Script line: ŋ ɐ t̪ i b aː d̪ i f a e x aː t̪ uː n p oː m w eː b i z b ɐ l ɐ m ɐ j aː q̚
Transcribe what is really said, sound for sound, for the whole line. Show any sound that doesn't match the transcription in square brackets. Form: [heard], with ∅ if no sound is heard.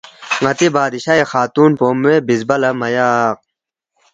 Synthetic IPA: ŋ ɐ t̪ i b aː d̪ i [ɕ] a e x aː t̪ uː n p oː m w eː b i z b ɐ l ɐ m ɐ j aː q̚